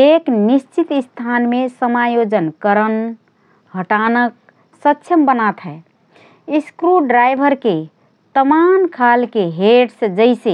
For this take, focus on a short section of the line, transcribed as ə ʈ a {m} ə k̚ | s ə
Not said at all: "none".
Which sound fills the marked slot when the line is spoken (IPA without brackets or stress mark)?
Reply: n